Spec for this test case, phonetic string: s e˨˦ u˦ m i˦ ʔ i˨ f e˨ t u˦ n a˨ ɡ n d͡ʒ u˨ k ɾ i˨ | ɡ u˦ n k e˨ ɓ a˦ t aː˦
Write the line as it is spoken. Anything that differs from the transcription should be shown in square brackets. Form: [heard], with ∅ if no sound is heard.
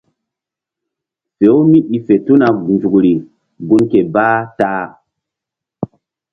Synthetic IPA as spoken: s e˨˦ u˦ m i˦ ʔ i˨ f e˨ t u˦ n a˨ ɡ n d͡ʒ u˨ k ɾ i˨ | ɡ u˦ n k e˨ [b] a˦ t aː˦

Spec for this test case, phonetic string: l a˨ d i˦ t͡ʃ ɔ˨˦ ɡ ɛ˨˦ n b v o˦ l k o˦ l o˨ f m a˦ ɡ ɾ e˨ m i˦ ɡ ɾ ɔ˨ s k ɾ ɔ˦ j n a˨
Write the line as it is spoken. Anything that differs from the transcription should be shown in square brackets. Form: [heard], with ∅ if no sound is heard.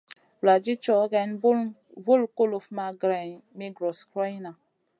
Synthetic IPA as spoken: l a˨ [d͡ʒ] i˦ t͡ʃ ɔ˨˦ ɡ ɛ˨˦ n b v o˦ l k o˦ l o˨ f m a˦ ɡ ɾ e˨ m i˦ ɡ ɾ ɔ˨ s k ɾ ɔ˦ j n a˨

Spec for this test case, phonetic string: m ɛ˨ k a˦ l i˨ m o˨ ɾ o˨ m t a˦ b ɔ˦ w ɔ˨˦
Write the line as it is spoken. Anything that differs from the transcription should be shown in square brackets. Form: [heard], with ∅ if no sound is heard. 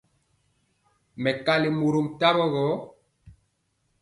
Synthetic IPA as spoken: m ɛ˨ k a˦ l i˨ m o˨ ɾ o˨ m t a˦ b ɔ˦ [ɣ] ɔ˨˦

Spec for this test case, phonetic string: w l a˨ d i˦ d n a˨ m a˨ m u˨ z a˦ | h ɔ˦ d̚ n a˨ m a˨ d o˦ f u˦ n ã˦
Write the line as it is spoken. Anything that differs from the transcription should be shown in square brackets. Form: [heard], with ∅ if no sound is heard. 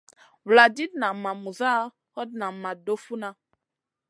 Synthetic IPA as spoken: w l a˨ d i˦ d n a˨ m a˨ m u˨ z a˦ | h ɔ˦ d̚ n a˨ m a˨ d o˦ f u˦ n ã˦

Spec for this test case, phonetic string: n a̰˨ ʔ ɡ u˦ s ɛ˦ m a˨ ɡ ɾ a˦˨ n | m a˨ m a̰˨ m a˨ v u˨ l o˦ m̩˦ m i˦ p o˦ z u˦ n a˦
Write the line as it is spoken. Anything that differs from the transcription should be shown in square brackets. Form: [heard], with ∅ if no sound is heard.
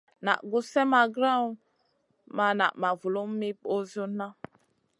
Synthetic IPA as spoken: n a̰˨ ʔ ɡ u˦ s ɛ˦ m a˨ ɡ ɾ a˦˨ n | m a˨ [n] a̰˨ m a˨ v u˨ l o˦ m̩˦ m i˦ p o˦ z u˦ n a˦

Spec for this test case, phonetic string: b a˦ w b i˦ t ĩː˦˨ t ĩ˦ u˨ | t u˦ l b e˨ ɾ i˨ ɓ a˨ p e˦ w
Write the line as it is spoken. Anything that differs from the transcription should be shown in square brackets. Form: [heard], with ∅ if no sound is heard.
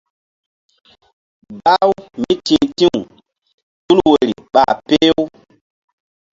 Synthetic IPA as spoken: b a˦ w [m] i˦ t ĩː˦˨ t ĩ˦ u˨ | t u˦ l [w] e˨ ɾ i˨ ɓ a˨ p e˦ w

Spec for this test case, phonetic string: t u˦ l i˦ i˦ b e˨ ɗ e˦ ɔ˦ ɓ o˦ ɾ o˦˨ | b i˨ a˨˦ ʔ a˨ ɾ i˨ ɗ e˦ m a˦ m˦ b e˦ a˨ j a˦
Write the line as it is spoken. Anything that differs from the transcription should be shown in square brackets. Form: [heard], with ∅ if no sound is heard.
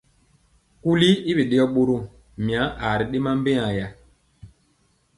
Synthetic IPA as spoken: [k] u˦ l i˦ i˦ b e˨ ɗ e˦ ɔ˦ ɓ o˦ ɾ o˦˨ | [m] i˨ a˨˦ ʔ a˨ ɾ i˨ ɗ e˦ m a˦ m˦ b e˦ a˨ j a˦

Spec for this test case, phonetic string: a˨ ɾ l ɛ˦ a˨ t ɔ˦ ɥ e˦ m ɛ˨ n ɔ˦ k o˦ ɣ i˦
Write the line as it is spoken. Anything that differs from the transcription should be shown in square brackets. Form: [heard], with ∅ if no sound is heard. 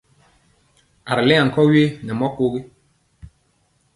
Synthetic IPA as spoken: a˨ ɾ l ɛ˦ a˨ [k] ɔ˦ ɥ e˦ [n] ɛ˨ [m] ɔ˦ k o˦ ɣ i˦

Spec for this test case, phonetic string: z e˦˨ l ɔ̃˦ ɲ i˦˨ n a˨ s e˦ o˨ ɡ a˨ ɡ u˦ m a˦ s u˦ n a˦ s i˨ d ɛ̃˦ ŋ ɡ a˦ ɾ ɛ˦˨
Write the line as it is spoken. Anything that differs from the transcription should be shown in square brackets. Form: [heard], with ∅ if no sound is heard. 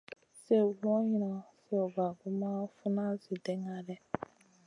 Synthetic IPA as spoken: [s] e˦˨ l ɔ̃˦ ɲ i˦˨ n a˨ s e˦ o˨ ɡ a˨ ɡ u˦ m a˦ [f] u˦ n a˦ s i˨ d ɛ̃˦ ŋ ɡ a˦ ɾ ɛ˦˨

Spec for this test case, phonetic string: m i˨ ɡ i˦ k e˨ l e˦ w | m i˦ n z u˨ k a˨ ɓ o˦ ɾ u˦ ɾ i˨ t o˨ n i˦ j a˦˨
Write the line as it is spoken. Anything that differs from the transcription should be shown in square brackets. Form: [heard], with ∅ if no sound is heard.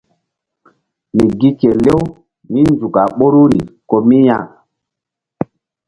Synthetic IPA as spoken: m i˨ ɡ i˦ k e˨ l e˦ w | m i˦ n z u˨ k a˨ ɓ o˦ ɾ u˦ ɾ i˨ [k] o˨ [m] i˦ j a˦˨

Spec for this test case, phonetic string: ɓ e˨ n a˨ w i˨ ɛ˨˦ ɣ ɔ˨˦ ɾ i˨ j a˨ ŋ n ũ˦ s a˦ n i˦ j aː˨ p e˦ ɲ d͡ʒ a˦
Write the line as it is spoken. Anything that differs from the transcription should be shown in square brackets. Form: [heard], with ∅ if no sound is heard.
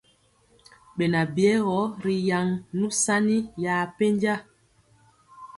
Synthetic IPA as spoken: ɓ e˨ n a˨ [b] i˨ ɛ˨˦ ɣ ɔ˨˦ ɾ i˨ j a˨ ŋ n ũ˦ s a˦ n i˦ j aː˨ p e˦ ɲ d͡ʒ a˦

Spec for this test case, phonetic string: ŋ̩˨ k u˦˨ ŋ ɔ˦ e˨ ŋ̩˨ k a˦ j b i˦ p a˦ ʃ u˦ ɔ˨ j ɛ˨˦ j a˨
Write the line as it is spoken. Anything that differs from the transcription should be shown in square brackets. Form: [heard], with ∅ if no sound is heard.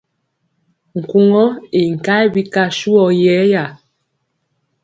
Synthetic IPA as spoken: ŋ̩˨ k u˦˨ ŋ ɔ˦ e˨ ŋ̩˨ k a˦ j b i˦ [k] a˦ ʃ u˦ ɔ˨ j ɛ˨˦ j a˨

